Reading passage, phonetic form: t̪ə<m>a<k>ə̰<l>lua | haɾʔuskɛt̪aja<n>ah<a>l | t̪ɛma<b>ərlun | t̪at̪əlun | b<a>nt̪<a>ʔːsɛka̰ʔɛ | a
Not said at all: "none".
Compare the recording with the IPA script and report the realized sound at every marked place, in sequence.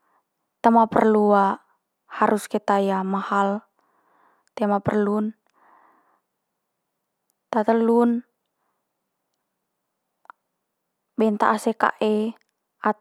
m, p, r, m, a, p, ɛ, a

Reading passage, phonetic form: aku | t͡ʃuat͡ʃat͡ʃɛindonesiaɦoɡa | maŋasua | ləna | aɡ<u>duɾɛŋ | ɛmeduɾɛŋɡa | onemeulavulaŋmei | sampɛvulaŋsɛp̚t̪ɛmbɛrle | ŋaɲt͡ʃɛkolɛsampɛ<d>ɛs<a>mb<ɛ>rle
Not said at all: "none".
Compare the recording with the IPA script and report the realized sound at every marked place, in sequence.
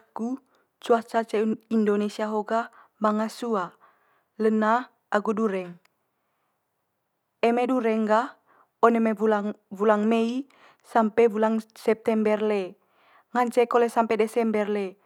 u, d, ɛ, ɛ

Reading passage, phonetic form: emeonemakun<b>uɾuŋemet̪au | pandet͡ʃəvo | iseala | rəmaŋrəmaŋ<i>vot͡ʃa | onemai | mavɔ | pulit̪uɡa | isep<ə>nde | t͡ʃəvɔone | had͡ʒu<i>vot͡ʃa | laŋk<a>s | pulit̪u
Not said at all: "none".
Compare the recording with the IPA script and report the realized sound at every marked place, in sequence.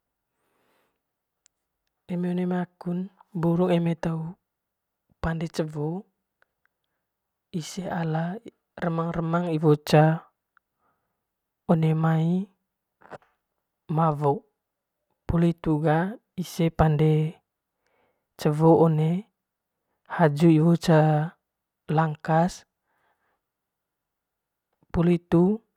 b, i, a, i, a

